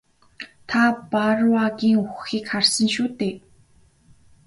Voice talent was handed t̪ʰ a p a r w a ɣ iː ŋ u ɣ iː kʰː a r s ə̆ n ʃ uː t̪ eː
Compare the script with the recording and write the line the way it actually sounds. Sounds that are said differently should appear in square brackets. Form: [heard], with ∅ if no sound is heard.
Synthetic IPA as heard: t̪ʰ a p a r w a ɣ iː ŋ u [x] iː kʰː a r s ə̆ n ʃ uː t̪ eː